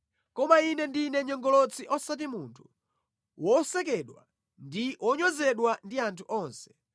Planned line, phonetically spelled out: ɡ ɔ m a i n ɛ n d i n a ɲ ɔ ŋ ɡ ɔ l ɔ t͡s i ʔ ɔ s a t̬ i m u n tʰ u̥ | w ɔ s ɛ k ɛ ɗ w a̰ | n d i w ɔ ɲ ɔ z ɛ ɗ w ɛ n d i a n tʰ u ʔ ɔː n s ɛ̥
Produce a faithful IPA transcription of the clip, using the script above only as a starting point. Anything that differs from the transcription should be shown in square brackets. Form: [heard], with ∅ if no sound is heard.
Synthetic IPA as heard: [k] ɔ m a i n ɛ n d i n [ɛ] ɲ ɔ ŋ ɡ ɔ l ɔ t͡s i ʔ ɔ s a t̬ i m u n tʰ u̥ | w ɔ s ɛ k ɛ ɗ w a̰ | n d i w ɔ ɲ ɔ z ɛ ɗ w [a] n d i a n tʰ u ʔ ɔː n s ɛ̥